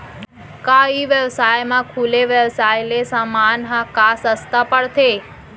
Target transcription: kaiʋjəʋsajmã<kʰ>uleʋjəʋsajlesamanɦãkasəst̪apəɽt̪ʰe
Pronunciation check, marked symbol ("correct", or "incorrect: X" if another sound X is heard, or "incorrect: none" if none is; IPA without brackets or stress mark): correct